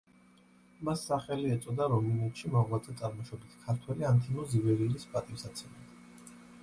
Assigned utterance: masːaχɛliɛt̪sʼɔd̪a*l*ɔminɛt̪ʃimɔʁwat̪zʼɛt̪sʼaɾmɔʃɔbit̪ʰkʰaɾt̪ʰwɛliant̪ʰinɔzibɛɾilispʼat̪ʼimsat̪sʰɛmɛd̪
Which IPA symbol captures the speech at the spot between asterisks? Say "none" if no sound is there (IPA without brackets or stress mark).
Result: ɾ